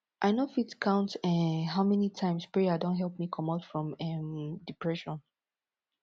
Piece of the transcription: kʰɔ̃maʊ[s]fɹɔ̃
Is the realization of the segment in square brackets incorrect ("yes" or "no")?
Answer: yes